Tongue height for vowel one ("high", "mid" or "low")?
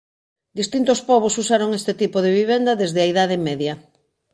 high